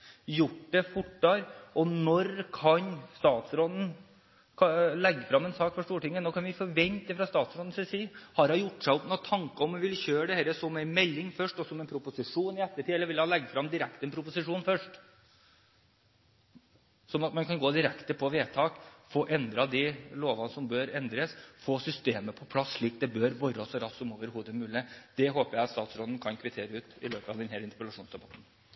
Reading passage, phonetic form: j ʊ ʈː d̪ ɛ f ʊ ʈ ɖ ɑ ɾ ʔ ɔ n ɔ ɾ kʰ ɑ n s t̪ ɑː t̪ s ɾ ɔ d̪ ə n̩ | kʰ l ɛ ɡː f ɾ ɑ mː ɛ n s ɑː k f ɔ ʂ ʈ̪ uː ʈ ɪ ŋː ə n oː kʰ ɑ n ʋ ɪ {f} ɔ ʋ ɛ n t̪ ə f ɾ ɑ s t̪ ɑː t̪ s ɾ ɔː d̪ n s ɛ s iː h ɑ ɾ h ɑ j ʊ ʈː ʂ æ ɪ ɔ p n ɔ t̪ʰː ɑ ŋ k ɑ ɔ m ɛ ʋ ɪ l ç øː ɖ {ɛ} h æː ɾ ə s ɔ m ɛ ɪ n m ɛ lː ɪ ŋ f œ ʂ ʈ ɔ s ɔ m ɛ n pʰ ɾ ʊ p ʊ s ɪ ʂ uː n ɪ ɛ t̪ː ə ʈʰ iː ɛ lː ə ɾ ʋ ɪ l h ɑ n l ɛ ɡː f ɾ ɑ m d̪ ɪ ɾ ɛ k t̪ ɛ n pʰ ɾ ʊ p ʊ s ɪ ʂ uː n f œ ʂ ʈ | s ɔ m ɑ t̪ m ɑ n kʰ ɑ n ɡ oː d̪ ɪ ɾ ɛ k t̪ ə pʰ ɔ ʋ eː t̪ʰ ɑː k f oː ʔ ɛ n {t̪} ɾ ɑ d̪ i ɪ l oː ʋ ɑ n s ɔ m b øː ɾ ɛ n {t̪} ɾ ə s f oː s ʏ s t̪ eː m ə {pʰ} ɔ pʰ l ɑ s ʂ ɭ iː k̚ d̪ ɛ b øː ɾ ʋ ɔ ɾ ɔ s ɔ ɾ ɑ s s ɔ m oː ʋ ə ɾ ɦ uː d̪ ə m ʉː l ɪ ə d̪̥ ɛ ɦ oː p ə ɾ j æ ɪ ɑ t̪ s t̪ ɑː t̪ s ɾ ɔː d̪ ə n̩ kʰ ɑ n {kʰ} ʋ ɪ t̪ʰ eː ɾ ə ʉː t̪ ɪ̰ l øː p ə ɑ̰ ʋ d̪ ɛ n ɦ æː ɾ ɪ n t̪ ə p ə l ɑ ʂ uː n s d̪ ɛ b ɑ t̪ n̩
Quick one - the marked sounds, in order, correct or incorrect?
correct, correct, incorrect, incorrect, correct, correct

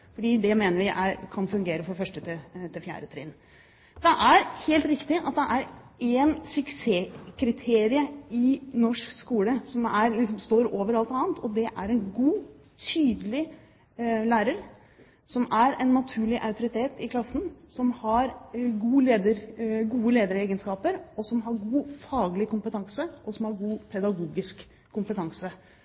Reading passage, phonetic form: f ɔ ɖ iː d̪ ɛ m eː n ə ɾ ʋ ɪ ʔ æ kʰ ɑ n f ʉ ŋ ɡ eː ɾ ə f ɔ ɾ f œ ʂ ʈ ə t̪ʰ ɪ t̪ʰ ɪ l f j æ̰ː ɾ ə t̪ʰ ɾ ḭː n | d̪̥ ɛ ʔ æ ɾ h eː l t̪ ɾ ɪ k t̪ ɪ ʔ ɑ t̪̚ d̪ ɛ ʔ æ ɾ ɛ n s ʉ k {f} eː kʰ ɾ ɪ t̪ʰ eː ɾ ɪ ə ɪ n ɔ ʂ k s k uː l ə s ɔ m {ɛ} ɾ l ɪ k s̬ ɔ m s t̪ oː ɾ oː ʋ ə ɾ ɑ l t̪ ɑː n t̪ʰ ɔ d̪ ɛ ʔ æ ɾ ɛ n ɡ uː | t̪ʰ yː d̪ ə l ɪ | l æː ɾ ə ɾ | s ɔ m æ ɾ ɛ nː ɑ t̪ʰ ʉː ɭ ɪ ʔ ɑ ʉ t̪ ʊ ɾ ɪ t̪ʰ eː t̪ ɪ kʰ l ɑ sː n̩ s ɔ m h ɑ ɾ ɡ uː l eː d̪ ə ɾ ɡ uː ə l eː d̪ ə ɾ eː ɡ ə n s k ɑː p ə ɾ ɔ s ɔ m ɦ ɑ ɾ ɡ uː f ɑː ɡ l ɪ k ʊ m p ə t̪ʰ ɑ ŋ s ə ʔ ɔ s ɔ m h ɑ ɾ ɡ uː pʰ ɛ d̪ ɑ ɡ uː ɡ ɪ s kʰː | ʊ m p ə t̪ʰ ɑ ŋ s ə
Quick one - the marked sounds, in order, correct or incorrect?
incorrect, incorrect

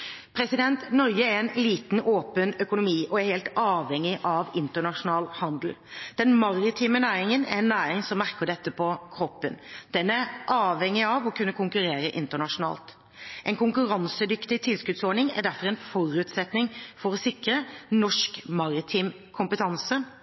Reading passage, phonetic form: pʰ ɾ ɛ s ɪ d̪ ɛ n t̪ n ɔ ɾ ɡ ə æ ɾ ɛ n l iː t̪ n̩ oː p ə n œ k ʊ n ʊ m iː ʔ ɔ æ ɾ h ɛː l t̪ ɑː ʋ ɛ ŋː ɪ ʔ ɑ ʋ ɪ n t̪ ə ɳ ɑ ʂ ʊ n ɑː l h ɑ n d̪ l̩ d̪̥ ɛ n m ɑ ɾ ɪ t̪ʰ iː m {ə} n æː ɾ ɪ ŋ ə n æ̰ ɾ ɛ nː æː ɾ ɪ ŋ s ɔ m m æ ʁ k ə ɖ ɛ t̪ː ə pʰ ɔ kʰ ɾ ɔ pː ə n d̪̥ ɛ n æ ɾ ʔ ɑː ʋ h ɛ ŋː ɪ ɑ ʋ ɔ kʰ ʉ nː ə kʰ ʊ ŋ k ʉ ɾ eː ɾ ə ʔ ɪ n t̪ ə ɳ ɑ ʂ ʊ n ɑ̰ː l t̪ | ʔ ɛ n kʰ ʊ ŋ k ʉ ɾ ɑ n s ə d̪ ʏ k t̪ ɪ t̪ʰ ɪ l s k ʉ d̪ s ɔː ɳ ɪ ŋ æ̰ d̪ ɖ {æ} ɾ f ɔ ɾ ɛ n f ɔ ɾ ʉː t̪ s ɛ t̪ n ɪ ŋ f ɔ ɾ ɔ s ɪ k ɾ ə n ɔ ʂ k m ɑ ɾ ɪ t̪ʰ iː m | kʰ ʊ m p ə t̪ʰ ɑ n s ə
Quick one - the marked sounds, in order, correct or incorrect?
correct, correct

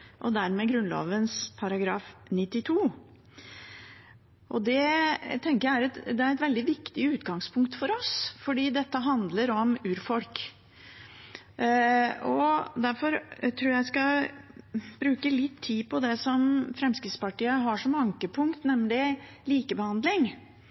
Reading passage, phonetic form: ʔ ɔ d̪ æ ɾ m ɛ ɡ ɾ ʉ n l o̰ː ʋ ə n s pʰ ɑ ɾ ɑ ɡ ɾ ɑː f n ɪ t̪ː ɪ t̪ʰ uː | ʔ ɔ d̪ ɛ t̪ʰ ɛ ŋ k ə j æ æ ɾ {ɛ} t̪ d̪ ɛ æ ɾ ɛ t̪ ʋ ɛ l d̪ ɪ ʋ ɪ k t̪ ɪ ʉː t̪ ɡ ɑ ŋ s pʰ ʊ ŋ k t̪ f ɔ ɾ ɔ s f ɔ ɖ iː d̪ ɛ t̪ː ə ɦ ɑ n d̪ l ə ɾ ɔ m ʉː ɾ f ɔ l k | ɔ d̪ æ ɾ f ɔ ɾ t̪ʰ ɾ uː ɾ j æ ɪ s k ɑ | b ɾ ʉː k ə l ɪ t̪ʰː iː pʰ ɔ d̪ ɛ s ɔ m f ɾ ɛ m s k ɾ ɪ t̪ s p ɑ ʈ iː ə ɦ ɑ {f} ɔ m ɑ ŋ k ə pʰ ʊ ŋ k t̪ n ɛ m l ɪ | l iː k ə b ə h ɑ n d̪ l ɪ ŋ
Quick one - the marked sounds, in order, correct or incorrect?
correct, incorrect

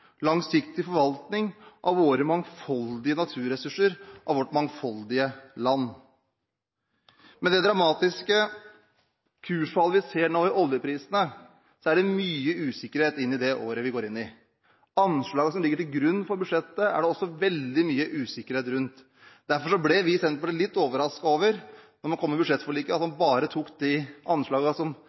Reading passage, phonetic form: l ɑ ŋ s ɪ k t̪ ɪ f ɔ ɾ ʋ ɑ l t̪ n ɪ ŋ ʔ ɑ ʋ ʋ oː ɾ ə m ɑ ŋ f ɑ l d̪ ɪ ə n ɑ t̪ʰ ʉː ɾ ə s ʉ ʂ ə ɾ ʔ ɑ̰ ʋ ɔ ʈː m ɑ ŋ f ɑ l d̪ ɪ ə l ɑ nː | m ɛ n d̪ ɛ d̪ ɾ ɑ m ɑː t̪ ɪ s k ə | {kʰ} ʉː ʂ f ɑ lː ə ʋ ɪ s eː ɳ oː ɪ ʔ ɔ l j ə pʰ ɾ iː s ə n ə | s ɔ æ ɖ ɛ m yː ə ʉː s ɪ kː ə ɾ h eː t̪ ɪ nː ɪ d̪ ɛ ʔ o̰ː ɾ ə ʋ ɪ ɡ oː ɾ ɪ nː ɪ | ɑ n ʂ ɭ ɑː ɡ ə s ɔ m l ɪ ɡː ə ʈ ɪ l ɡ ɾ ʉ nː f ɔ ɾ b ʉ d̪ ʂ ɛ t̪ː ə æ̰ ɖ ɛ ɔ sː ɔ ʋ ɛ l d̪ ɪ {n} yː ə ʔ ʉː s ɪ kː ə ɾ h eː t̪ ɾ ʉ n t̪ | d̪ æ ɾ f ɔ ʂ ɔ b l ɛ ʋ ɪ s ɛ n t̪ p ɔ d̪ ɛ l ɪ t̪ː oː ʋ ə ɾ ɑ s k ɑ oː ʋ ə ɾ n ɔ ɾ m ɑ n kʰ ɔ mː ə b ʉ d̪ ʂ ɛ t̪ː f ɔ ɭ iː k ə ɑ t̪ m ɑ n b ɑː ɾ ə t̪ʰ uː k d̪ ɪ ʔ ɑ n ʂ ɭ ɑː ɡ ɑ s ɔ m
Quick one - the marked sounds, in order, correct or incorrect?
correct, incorrect

